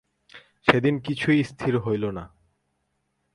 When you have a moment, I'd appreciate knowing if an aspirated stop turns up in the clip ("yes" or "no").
yes